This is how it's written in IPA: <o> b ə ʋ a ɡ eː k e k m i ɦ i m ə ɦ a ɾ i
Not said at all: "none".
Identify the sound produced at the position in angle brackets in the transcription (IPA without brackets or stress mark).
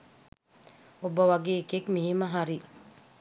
o